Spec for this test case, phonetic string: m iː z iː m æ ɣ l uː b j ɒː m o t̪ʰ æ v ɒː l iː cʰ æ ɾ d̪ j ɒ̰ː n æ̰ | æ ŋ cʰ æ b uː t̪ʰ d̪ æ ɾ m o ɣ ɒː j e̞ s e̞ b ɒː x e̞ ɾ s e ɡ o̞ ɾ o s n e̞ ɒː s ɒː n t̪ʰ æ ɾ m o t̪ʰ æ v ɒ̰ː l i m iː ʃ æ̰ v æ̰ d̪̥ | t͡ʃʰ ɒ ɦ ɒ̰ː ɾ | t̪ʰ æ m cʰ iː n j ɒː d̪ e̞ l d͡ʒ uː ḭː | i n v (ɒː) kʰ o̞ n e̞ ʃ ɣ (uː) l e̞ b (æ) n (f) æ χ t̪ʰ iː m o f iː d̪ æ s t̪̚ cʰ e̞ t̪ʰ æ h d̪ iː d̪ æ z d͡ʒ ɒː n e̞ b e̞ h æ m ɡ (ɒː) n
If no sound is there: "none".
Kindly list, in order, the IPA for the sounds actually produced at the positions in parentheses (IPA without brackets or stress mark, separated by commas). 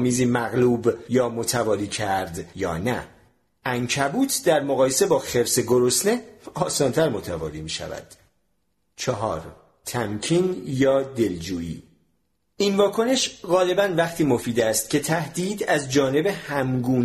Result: ɒː, ɒː, æ, v, uː